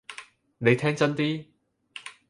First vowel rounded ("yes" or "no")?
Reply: no